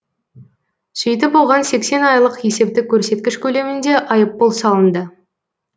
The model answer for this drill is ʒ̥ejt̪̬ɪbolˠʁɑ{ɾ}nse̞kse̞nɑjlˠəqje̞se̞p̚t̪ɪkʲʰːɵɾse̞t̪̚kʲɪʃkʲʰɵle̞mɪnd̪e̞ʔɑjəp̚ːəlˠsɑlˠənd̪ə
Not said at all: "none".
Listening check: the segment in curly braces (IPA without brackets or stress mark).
none